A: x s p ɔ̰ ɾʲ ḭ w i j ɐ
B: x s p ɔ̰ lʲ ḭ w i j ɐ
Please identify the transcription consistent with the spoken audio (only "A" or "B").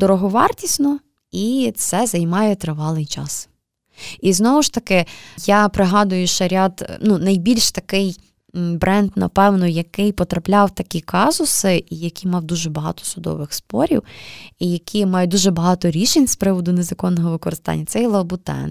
A